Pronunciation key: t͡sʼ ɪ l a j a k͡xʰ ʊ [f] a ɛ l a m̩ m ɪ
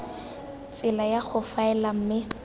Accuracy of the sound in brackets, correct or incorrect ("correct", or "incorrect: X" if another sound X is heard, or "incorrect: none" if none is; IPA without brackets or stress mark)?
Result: correct